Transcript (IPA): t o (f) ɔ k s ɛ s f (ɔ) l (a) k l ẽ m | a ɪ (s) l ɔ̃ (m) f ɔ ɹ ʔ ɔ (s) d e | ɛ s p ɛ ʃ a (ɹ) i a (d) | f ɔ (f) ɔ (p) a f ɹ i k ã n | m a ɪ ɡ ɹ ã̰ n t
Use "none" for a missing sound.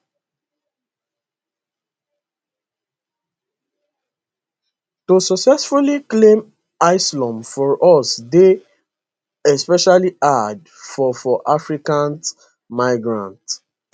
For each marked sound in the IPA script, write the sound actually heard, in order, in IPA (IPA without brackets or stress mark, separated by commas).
s, u, i, s, m, s, l, d, f, ʔ